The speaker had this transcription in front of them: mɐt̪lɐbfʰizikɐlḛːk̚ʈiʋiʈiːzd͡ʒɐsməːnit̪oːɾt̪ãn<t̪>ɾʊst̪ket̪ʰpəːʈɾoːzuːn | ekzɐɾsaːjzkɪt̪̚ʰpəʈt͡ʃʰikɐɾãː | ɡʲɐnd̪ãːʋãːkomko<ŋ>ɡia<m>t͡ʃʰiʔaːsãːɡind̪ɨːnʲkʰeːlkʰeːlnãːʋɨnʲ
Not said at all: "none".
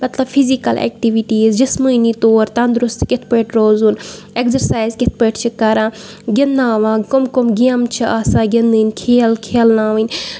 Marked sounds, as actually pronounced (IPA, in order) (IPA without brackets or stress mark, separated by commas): d̪, m, m